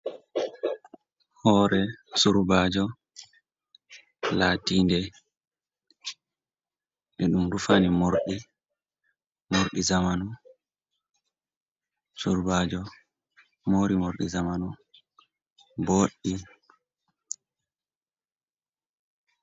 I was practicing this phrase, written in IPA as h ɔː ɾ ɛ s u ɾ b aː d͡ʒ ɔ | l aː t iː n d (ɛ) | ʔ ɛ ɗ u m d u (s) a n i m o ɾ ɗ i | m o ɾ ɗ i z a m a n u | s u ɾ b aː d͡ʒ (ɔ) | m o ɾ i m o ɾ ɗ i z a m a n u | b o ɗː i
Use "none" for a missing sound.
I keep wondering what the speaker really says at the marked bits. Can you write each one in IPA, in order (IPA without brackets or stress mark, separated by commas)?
ɛ, f, ɔ